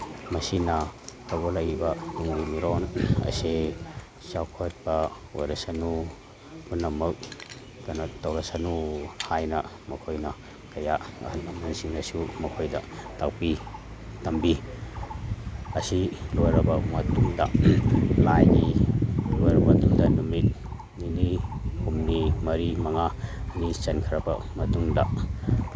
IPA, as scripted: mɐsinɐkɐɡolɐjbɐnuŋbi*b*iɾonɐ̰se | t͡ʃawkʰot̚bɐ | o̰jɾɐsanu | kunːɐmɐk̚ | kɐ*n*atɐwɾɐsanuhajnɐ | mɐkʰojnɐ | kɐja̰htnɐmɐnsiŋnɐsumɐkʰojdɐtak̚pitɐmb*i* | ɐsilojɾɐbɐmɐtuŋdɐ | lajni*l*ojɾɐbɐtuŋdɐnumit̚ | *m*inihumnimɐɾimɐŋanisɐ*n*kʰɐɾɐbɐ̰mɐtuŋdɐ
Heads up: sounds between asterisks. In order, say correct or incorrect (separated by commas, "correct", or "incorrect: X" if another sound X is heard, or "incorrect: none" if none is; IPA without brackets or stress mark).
incorrect: m, correct, correct, correct, incorrect: n, correct